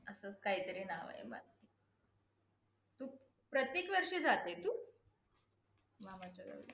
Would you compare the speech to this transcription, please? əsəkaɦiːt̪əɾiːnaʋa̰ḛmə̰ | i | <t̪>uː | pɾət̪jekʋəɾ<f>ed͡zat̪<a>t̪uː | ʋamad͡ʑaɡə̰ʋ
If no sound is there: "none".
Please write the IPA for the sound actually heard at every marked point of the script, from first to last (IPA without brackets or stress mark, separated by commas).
t̪, ʂ, e